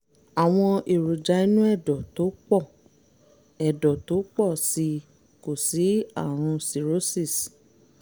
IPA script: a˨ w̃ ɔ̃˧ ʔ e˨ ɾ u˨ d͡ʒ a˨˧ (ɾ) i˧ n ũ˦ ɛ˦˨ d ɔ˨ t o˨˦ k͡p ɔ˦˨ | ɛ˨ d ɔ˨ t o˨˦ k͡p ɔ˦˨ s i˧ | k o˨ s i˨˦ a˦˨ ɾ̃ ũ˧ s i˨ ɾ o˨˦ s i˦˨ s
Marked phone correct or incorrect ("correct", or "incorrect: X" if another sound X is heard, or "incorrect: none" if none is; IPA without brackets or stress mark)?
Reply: incorrect: none